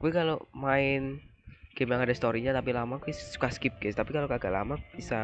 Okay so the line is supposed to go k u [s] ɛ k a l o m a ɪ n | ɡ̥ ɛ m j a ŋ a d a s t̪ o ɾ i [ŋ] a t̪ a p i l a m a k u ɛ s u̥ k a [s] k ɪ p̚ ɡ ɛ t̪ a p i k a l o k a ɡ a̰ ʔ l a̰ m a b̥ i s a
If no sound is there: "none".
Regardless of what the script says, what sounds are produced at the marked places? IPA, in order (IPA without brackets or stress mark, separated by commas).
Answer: none, ɲ, s